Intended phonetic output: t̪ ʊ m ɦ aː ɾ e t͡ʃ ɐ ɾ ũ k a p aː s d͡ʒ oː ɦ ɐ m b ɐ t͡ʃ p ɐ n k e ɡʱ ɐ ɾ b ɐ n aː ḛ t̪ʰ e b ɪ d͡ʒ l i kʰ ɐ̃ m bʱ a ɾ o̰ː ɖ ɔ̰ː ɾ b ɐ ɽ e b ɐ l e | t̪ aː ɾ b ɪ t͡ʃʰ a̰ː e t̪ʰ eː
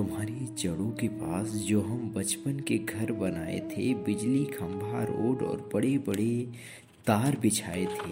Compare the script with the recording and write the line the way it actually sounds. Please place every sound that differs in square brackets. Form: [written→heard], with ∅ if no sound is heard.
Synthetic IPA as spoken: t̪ ʊ m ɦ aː ɾ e t͡ʃ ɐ [ɾ→ɽ] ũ k [a→e] p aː s d͡ʒ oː ɦ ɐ m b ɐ t͡ʃ p [ɐ→ə] n k e ɡʱ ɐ ɾ b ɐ n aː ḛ t̪ʰ e b ɪ d͡ʒ l i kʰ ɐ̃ m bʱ a ɾ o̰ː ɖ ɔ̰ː ɾ b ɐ ɽ e b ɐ [l→ɽ] e | t̪ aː ɾ b ɪ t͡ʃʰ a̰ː e t̪ʰ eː